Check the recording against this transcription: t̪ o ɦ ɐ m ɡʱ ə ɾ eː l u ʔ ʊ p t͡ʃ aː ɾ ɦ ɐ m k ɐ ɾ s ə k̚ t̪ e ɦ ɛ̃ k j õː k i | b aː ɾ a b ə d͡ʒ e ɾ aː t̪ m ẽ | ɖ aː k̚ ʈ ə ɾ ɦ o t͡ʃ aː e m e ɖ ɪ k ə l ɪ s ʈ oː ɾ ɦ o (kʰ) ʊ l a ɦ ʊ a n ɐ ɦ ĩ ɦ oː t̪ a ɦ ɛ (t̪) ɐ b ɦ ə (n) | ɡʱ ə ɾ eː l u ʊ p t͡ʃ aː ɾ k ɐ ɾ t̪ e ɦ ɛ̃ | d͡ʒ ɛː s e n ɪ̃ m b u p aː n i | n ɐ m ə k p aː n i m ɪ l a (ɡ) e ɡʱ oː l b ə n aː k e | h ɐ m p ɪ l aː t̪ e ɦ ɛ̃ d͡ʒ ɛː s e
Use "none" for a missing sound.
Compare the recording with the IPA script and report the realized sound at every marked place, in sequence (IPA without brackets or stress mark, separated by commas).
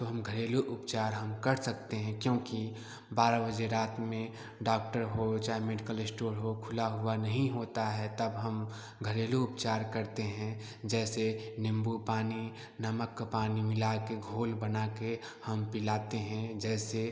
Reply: kʰ, t̪, m, k